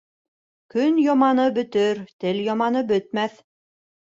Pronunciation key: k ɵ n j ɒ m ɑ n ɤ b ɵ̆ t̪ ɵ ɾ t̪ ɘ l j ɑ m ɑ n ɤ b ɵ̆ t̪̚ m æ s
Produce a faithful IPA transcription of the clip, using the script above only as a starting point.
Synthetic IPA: k ɵ n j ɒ m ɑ n ɤ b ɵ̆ t̪ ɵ ɾ t̪ ɘ l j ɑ m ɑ n ɤ b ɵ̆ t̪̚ m æ θ